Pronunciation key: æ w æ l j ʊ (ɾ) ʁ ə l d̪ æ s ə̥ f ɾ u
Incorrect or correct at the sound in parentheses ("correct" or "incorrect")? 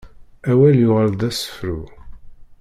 incorrect